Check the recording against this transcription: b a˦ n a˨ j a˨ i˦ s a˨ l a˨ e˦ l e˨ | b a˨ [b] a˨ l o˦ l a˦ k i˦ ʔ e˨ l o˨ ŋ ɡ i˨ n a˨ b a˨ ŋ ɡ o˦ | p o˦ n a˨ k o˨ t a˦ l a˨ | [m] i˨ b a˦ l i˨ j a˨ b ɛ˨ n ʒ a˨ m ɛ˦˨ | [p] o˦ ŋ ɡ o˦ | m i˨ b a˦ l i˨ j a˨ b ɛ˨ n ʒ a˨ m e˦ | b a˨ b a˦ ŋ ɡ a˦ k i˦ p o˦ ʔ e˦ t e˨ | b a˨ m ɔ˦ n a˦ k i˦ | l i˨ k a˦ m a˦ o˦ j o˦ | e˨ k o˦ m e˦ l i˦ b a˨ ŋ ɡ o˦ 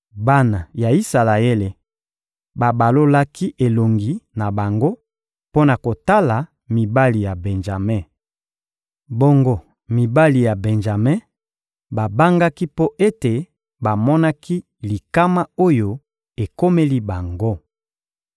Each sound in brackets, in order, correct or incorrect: correct, correct, incorrect

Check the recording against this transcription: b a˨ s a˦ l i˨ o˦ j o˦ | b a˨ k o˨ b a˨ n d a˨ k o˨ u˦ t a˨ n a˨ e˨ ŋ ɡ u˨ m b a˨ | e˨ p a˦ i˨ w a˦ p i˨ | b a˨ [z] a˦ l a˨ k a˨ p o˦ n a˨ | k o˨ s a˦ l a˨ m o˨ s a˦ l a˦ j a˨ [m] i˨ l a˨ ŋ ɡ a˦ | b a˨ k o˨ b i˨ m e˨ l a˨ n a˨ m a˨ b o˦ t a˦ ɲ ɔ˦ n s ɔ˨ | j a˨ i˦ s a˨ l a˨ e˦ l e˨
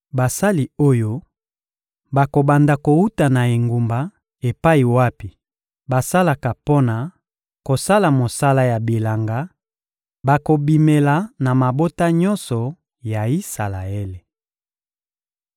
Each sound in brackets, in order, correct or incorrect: incorrect, incorrect

